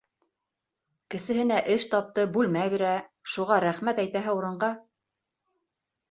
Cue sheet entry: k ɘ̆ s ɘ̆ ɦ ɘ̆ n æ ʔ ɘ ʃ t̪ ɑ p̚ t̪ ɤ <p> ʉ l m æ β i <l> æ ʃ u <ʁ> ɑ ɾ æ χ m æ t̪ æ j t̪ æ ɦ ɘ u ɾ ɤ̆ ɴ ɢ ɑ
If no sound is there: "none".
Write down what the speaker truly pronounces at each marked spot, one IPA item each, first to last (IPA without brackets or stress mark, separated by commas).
b, ɾ, ʁ